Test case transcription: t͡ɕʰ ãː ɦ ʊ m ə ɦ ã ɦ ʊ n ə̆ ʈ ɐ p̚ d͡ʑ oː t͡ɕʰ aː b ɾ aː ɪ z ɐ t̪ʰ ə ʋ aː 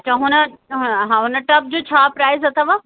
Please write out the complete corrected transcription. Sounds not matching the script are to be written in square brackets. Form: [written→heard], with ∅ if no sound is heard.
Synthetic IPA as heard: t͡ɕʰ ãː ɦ ʊ [m→n] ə ɦ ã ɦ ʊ n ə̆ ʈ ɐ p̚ d͡ʑ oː t͡ɕʰ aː [b→p] ɾ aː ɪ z ɐ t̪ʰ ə ʋ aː